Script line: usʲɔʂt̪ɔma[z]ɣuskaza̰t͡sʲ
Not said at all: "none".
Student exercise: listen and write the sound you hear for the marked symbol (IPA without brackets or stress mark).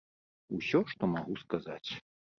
none